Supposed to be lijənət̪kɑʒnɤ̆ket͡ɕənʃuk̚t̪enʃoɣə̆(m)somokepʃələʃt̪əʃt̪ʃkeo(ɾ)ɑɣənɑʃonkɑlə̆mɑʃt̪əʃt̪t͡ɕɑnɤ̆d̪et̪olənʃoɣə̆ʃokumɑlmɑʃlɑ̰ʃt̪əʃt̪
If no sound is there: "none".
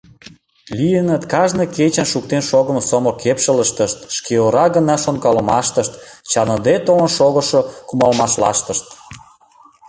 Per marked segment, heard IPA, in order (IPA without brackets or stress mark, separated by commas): m, ɾ